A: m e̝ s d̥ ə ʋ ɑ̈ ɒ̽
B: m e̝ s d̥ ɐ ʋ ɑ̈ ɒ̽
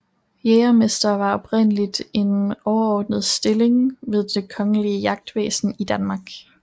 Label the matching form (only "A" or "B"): B